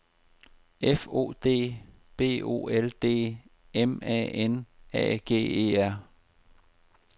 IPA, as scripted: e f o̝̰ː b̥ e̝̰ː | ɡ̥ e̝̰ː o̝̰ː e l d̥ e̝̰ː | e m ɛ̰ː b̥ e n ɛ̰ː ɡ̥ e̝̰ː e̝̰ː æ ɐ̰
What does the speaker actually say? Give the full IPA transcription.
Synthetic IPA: e f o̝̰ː d̥ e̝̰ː | b̥ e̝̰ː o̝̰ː e l d̥ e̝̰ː | e m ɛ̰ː e n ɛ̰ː ɡ̥ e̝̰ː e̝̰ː æ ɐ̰